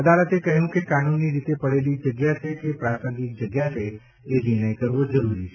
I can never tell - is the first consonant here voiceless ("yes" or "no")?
no